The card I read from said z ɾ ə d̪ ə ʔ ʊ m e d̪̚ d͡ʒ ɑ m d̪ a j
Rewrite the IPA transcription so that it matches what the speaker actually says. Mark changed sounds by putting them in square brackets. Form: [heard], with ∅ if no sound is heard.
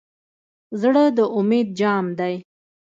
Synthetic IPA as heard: z [ɽ] ə d̪ ə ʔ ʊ m e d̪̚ d͡ʒ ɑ m d̪ a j